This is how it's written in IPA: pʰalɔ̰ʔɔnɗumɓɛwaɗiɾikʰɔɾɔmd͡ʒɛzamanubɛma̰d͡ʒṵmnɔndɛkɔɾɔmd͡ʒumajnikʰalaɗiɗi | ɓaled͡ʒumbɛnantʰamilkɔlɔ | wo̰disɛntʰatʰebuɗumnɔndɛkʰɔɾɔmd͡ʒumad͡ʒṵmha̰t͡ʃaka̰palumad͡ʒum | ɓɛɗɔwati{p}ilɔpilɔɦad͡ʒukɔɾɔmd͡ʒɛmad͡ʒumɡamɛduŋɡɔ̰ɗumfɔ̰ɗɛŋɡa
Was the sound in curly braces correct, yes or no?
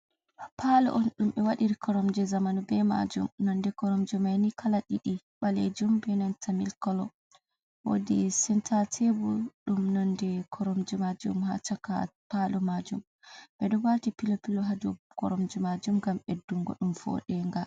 yes